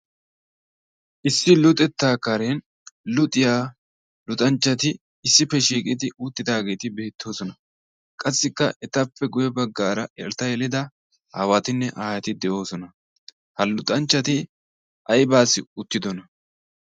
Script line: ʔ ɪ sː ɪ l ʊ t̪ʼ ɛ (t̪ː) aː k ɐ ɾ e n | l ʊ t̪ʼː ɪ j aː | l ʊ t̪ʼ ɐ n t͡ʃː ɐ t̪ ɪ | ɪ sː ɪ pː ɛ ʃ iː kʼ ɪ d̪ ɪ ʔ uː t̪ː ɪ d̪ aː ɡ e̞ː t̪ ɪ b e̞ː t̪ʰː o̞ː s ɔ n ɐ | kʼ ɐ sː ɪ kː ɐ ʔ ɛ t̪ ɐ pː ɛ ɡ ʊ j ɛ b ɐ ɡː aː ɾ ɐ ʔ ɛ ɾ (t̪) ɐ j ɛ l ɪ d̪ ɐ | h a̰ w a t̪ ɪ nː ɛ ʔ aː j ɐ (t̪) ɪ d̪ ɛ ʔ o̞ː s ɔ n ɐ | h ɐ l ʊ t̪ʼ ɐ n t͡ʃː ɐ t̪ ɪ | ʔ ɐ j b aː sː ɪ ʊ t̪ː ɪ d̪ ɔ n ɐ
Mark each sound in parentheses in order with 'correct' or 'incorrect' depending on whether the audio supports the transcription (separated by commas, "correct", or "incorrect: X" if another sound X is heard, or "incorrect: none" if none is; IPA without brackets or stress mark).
correct, correct, correct